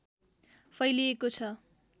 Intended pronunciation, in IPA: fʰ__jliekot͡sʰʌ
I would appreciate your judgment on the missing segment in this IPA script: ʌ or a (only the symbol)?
ʌ